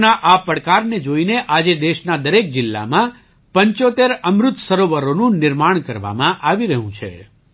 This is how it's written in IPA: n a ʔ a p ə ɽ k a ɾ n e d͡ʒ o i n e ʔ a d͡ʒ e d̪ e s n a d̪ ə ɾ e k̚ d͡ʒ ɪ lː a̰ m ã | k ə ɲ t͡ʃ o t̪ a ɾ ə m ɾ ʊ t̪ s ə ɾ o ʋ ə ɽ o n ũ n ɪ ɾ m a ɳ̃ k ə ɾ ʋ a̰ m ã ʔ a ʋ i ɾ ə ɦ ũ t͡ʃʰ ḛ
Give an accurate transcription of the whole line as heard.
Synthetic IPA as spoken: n a ʔ a p ə ɽ k a ɾ n e d͡ʒ o i n e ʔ a d͡ʒ e d̪ e ʃ n a d̪ ə ɾ e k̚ d͡ʒ ɪ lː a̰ m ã | p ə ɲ t͡ʃ o t̪ e ɾ ə m ɾ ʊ t̪ s ə ɾ o ʋ ə ɾ o n ũ n ɪ ɾ m a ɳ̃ k ə ɾ ʋ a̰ m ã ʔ a ʋ i ɾ ə ɦ ũ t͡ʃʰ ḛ

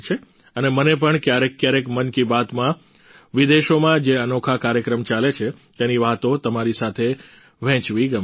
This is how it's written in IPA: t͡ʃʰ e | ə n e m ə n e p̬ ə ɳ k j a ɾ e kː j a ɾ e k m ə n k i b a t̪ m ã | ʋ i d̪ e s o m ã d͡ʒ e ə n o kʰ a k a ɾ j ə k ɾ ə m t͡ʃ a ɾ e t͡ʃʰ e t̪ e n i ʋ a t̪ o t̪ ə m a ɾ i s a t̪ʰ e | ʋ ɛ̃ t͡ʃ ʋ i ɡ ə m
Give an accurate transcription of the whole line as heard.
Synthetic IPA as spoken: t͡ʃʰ e | ə n e m ə n e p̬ ə ɳ k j a ɾ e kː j a ɾ e k m ə n k i b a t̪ m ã | ʋ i d̪ e ʃ o m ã d͡ʒ e ə n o kʰ a k a ɾ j ə k ɾ ə m t͡ʃ a l e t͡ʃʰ e t̪ e n i ʋ a t̪ o t̪ ə m a ɾ i s a t̪ʰ e | ʋ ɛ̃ t͡ʃ ʋ i ɡ ə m

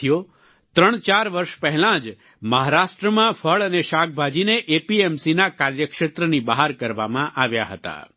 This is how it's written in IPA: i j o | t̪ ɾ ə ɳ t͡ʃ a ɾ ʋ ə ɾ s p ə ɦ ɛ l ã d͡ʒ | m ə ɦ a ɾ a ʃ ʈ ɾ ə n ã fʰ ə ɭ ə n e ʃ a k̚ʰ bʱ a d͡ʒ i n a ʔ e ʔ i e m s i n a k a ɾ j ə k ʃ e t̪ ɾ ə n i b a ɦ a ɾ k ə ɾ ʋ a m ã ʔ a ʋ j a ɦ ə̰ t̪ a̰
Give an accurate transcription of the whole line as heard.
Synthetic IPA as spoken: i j o | t̪ ɾ ə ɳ t͡ʃ a ɾ ʋ ə ɾ ʃ p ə ɦ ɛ l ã d͡ʒ | m ə ɦ a ɾ a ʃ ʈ ɾ ə m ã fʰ ə ɭ ə n e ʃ a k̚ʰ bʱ a d͡ʒ i n e ʔ e p i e m s i n a k a ɾ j ə k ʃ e t̪ ɾ ə n i b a ɦ a ɾ k ə ɾ ʋ a m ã ʔ a ʋ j a ɦ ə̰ t̪ a̰

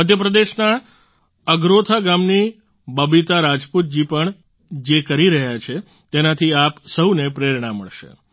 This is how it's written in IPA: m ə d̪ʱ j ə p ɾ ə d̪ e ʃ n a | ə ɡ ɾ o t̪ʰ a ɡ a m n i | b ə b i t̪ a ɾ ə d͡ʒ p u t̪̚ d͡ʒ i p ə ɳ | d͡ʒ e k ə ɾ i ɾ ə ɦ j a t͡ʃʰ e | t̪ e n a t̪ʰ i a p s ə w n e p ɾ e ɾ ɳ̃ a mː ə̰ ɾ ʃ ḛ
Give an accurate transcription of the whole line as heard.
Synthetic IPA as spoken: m ə d̪ʱ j ə p ɾ ə d̪ e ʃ n a | ə ɡ ɾ o t̪ʰ a ɡ a m n i | b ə b i t̪ a ɾ a d͡ʒ p u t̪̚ d͡ʒ i p ə ɳ | d͡ʒ e k ə ɾ i ɾ ə ɦ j a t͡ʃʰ e | t̪ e n a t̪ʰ i a p s ə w n e p ɾ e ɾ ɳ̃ a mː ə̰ ɭ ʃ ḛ

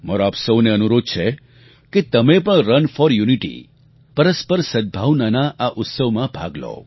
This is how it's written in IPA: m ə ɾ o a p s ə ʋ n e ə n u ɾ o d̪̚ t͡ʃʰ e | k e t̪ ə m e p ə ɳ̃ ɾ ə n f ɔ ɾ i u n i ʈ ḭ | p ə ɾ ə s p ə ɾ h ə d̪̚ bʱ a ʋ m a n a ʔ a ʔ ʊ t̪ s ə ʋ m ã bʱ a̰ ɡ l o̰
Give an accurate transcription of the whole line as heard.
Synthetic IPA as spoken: m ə ɾ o a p s ə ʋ n e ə n u ɾ o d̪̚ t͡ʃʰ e | k e t̪ ə m e p ə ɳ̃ ɾ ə n f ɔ ɾ j u n i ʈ ḭ | p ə ɾ ə s p ə ɾ s ə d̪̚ bʱ a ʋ n a n a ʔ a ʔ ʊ t̪ s ə ʋ m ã bʱ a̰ ɡ l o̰

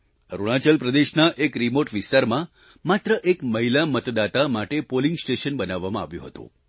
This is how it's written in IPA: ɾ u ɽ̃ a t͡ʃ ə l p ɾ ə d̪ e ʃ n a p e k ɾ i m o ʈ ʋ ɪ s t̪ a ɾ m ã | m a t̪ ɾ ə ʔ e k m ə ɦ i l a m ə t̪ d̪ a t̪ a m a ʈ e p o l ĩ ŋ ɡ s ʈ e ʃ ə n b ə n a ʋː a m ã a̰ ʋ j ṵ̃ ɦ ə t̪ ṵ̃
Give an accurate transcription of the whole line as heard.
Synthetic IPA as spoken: ɾ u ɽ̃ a t͡ʃ ə l p ɾ ə d̪ e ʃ n a ʔ e k ɾ i m o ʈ ʋ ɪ s t̪ a ɾ m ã | m a t̪ ɾ ə ʔ e k m ə ɦ i l a m ə t̪ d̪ a t̪ a m a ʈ e p o l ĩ ŋ ɡ s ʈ e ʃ ə n b ə n a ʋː a m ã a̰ ʋ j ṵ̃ ɦ ə t̪ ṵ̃

